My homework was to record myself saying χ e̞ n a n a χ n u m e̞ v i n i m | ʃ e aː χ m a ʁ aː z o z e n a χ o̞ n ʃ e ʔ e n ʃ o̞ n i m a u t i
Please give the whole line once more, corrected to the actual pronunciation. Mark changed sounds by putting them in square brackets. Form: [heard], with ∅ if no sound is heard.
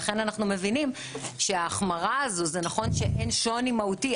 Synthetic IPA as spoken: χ e̞ n a n a χ n u m e̞ v i n i m | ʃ e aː χ m a ʁ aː z o z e n a χ o̞ n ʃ e ʔ e n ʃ o̞ n i m a u t i